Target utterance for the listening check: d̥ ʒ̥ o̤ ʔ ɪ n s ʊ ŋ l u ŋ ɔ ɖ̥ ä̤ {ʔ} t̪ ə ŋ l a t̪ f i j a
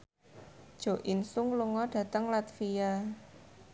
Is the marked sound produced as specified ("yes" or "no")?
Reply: no